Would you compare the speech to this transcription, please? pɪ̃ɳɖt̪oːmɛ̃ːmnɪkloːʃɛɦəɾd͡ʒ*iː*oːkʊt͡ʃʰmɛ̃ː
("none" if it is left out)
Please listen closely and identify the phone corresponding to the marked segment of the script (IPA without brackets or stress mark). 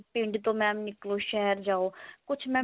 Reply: aː